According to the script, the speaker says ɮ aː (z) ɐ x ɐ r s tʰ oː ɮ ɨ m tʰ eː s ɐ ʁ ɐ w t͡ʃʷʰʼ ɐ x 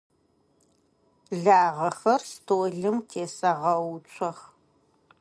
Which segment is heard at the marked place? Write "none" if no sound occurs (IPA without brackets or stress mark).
ʁ